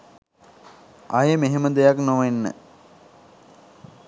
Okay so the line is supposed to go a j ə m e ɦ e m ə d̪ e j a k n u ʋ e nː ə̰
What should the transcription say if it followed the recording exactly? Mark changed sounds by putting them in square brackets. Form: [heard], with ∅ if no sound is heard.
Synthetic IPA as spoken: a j ə m e ɦ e m ə d̪ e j a k n [o] ʋ e nː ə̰